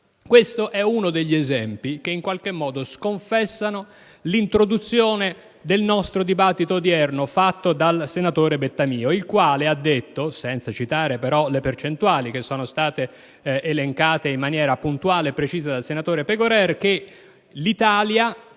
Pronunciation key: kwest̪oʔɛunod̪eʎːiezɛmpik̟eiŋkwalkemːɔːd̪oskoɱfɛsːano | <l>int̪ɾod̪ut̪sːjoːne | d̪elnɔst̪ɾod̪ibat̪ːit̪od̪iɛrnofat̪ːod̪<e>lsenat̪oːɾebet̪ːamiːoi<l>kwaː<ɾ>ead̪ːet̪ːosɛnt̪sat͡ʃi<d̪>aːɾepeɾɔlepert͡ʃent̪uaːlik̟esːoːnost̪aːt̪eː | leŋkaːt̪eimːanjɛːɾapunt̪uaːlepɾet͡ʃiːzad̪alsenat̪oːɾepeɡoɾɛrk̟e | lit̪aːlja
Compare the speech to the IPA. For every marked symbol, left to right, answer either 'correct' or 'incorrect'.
correct, incorrect: a, correct, incorrect: l, incorrect: t̪

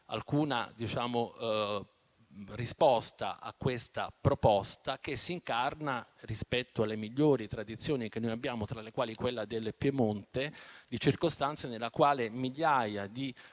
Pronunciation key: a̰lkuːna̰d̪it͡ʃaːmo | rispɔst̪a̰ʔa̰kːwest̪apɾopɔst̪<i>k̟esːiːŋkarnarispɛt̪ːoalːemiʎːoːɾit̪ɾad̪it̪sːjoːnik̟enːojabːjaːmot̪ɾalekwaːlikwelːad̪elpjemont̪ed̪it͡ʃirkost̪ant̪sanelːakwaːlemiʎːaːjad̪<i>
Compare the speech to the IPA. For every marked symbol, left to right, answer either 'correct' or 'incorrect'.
incorrect: a, correct

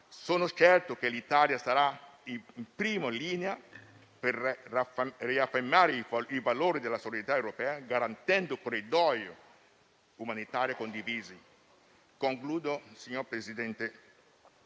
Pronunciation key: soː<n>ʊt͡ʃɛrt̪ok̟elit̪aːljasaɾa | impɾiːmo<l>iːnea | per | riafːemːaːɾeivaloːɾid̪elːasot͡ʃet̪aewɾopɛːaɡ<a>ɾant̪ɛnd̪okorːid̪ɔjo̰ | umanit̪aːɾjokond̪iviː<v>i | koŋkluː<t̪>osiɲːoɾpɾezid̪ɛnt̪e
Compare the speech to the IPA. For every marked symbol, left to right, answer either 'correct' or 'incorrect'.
correct, correct, correct, incorrect: z, incorrect: d̪

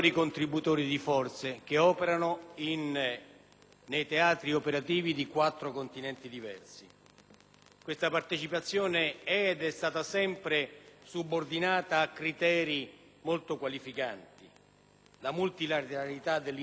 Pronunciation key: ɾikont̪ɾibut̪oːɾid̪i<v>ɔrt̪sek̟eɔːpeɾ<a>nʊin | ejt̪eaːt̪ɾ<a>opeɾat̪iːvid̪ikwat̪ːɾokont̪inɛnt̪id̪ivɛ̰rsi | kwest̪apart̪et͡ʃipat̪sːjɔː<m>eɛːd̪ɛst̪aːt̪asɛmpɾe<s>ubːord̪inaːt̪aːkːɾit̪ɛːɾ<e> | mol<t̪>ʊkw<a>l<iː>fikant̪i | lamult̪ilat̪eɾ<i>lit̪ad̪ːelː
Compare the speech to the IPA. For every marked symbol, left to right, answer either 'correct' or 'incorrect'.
incorrect: f, correct, incorrect: i, incorrect: n, correct, incorrect: i, correct, correct, incorrect: i, incorrect: a

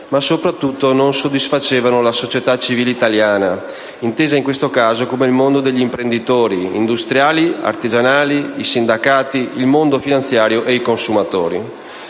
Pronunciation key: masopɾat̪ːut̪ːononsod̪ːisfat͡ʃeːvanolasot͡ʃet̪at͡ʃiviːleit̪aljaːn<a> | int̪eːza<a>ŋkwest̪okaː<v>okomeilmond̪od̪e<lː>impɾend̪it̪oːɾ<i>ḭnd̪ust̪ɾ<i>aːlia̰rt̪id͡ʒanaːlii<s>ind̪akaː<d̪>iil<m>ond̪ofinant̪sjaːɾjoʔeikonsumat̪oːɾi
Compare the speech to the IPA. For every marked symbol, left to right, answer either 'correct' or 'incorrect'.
correct, incorrect: i, incorrect: z, incorrect: ʎː, correct, incorrect: j, correct, incorrect: t̪, correct

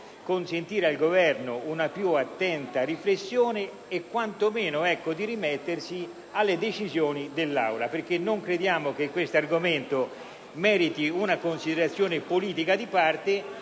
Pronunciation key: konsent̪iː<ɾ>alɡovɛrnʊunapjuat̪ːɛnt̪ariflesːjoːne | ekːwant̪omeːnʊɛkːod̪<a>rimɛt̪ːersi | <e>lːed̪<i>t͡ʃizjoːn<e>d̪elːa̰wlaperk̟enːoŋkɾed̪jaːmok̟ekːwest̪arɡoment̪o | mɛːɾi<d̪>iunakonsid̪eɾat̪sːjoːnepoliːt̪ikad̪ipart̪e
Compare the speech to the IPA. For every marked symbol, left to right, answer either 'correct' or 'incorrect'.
correct, incorrect: i, incorrect: a, incorrect: e, incorrect: i, incorrect: t̪

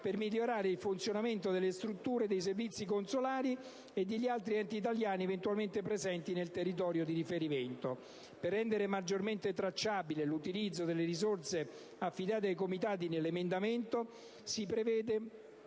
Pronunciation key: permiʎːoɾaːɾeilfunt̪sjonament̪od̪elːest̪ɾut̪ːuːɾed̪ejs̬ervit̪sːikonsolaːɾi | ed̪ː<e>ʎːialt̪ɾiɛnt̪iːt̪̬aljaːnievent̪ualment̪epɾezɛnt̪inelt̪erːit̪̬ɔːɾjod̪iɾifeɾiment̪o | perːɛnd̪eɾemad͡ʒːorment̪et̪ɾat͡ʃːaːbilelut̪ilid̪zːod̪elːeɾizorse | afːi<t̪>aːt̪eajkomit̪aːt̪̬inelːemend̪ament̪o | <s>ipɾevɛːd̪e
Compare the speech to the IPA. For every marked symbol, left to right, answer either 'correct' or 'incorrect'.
correct, incorrect: d̪, correct

